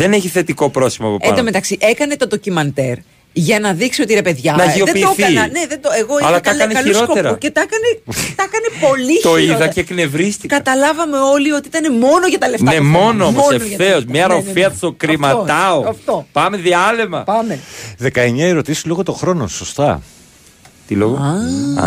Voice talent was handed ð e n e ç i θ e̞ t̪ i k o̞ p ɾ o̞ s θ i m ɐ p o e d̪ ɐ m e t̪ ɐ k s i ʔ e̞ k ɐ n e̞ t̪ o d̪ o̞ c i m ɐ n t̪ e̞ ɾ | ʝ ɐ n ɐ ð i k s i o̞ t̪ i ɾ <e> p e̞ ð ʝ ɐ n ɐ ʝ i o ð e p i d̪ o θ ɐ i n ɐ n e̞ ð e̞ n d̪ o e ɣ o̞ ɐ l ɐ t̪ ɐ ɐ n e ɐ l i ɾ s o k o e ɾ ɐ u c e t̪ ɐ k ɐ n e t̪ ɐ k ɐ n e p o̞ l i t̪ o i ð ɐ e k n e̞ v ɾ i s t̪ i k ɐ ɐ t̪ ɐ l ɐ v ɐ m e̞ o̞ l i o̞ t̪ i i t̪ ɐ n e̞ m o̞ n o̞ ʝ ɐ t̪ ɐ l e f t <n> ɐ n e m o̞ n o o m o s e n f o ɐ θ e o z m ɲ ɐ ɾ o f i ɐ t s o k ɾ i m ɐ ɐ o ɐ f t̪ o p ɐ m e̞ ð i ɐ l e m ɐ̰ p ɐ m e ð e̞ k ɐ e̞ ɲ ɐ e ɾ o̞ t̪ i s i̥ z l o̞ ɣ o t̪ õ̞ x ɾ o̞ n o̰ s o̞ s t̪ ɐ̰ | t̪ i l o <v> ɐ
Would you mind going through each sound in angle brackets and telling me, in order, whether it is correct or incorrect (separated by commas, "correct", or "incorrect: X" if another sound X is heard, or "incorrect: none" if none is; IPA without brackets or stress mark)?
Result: correct, correct, incorrect: ɣ